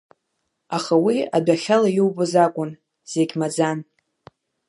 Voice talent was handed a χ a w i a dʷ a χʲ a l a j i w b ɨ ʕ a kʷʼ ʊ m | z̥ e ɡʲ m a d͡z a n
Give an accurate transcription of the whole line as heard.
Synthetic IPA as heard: a χ a w i a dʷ a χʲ a l a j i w b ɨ z a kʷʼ ʊ n | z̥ e ɡʲ m a d͡z a n